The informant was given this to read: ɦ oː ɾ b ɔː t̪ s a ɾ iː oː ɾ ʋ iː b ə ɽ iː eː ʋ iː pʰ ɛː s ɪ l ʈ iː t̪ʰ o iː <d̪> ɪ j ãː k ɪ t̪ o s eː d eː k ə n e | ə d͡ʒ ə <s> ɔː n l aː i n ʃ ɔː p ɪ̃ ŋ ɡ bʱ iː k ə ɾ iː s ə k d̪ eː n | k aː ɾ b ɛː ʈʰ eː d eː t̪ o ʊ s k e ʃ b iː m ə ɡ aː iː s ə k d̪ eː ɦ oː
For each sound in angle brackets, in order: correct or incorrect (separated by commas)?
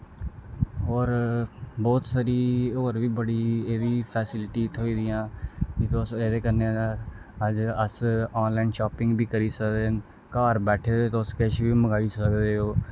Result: correct, correct